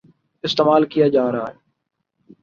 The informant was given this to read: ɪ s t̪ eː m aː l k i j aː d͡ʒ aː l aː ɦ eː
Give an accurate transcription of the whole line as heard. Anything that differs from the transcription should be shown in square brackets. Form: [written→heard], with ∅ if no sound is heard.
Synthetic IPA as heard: ɪ s t̪ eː m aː l k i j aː d͡ʒ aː [l→ɾ] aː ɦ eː

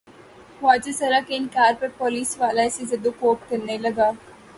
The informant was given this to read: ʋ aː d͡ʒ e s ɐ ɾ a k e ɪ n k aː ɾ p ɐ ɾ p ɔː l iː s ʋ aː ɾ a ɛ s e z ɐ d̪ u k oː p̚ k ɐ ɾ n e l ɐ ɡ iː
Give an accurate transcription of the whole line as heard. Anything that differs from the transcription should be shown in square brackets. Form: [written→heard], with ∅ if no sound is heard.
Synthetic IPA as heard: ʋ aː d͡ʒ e s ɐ ɾ a k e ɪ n k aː ɾ p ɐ ɾ p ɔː l iː s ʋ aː [ɾ→l] a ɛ s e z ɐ d̪ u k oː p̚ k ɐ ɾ n e l ɐ ɡ [iː→aː]

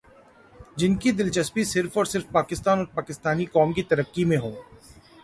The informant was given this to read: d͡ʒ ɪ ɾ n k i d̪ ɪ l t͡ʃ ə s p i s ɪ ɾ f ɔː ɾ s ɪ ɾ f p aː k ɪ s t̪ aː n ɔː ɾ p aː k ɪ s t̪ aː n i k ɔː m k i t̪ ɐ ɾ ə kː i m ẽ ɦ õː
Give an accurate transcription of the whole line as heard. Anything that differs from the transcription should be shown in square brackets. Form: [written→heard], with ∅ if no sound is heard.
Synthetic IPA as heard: d͡ʒ ɪ [ɾ→∅] n k i d̪ ɪ l t͡ʃ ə s p i s ɪ ɾ f ɔː ɾ s ɪ ɾ f p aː k ɪ s t̪ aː n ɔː ɾ p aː k ɪ s t̪ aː n i k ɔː m k i t̪ ɐ ɾ ə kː i m ẽ ɦ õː

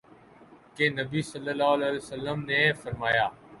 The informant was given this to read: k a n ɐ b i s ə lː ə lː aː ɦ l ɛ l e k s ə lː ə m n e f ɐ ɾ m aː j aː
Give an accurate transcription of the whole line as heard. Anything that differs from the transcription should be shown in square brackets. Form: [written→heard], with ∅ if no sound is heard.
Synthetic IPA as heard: k [a→e] n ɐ b i s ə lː ə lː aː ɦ l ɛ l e [k→∅] s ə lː ə m n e f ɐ ɾ m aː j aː

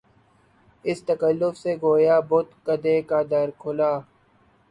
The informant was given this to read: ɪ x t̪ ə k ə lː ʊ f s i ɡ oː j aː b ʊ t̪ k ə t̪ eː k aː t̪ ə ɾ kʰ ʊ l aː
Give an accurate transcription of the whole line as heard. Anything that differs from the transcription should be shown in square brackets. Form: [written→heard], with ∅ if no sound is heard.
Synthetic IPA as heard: ɪ [x→s] t̪ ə k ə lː ʊ f s [i→e] ɡ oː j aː b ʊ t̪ k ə [t̪→d̪] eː k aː [t̪→d̪] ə ɾ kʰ ʊ l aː

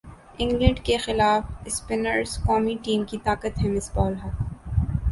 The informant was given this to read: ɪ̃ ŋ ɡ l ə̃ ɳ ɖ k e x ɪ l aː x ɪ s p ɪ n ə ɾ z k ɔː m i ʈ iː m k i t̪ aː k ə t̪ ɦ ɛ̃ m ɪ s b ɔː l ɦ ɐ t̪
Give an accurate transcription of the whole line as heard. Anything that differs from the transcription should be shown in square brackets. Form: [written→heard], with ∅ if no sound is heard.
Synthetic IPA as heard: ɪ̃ ŋ ɡ l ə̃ ɳ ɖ k e x ɪ l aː [x→f] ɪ s p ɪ n ə ɾ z k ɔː m i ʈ iː m k i t̪ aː k ə t̪ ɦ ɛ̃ m ɪ s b ɔː l ɦ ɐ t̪

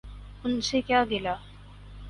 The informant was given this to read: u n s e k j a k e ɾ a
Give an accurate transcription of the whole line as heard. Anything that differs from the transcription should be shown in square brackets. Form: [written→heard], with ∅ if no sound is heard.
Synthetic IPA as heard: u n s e k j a [k→ɡ] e [ɾ→l] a

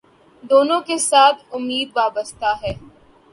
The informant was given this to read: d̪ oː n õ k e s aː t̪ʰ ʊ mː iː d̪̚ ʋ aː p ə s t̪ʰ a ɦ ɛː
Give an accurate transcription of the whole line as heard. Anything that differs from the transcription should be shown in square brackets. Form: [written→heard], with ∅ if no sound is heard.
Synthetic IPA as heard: d̪ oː n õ k e s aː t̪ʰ ʊ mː iː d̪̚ ʋ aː [p→b] ə s [t̪ʰ→t̪] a ɦ ɛː

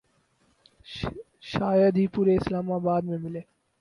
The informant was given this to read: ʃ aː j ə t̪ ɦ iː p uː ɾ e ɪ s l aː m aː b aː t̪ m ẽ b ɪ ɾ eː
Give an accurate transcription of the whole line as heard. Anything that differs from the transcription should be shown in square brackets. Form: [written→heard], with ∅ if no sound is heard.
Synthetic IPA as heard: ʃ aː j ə [t̪→d̪] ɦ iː p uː ɾ e ɪ s l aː m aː b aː [t̪→d̪] m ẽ [b→m] ɪ [ɾ→l] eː

